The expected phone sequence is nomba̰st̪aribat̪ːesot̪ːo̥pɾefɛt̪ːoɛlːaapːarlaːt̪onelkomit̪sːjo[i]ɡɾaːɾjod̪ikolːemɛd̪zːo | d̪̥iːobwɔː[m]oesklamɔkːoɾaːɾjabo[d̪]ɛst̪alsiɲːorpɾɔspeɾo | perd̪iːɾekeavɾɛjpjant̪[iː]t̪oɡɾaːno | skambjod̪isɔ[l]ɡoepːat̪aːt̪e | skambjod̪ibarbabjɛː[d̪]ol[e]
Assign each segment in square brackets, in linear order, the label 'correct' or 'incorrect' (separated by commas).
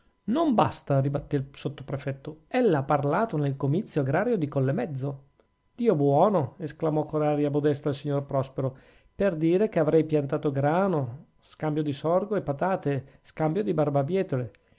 incorrect, incorrect, correct, incorrect, incorrect, incorrect, correct